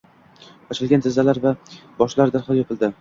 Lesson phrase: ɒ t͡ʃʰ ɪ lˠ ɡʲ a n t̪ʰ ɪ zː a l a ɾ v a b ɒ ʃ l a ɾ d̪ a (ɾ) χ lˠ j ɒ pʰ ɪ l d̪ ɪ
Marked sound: correct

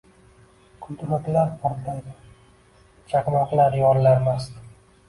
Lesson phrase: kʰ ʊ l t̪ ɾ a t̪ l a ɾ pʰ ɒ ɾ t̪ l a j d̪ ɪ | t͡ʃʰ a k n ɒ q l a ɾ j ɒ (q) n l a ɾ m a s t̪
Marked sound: incorrect: none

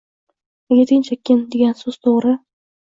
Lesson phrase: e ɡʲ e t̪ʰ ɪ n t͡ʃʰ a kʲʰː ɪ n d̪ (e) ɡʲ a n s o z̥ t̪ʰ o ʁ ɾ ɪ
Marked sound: correct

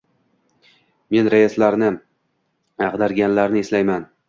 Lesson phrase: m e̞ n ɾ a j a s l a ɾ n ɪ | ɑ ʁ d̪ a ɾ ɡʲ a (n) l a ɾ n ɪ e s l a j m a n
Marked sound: correct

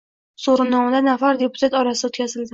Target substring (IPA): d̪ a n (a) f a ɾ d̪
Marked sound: correct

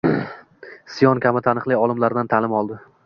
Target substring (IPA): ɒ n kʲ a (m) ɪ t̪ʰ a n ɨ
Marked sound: correct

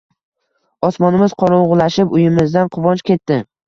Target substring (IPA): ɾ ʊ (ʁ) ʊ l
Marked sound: correct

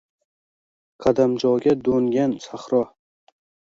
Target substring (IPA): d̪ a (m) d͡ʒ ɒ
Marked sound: correct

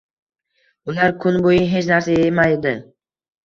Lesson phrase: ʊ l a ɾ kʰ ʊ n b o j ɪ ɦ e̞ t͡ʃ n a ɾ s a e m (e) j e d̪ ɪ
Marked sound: incorrect: a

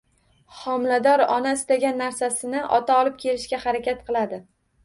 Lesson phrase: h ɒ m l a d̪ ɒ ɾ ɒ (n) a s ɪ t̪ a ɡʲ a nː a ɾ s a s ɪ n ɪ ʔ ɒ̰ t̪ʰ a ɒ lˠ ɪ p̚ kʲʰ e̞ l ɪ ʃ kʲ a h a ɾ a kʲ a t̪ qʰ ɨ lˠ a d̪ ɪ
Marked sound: correct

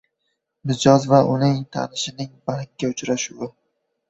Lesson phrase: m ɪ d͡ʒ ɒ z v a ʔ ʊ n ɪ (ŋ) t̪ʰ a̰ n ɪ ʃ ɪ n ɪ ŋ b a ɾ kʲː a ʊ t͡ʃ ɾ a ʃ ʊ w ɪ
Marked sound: correct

